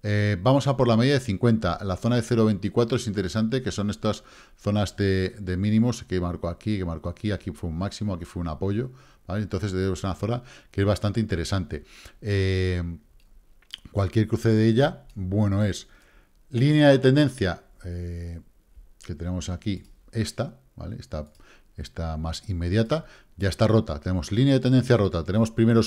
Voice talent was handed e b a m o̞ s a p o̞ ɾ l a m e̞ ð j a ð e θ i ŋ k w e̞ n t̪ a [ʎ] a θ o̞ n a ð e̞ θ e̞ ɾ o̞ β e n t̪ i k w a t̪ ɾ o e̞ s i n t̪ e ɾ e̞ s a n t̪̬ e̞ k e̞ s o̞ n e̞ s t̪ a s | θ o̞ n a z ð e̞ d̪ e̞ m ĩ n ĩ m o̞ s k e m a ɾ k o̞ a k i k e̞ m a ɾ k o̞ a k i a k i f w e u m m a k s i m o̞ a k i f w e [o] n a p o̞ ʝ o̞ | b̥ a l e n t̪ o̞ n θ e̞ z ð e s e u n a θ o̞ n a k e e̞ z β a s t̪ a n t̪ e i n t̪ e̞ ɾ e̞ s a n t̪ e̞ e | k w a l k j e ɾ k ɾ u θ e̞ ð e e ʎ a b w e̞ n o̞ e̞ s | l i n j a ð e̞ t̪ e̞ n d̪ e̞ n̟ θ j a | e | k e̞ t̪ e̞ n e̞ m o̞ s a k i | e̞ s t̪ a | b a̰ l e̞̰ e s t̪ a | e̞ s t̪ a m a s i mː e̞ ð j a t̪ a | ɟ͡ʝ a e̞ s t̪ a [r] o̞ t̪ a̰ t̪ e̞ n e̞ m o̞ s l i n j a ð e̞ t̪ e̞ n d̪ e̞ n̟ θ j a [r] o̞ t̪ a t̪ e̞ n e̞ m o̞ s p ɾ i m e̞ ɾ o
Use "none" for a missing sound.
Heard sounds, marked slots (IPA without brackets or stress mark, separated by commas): l, u, r, r